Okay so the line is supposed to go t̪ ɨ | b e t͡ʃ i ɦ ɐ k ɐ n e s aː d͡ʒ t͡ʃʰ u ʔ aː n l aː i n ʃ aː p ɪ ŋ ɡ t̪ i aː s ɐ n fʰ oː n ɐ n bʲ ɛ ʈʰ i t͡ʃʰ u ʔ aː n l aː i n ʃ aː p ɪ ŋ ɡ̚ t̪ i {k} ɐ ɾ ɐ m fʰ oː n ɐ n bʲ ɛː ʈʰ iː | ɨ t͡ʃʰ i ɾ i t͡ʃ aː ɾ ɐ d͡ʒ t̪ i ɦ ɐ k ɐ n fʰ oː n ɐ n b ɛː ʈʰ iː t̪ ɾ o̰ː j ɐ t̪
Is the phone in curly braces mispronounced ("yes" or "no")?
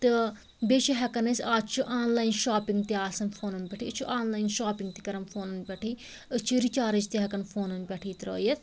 no